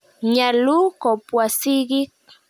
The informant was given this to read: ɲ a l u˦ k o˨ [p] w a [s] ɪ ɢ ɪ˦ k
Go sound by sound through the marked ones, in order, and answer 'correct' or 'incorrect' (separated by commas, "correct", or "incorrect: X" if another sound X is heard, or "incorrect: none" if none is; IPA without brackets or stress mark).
correct, correct